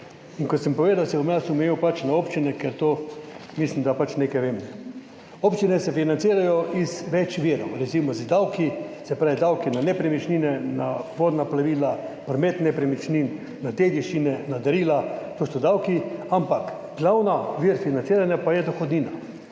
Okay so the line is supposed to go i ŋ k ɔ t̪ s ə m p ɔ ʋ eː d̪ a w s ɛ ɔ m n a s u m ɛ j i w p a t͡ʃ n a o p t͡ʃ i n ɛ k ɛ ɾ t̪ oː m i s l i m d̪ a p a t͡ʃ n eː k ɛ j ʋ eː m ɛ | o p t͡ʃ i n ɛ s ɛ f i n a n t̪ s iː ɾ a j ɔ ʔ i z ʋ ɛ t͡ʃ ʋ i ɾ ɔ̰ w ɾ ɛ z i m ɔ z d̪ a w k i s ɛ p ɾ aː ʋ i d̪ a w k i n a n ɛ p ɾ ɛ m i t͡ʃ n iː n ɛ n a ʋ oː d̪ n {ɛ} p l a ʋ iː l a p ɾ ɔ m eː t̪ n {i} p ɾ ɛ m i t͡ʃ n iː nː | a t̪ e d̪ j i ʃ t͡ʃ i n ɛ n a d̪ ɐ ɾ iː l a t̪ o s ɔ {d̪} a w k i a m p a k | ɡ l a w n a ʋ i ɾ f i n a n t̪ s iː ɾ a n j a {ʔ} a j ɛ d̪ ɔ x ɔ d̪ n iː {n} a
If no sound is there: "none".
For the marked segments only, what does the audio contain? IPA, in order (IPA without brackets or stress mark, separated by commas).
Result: a, ɛ, d̪, p, n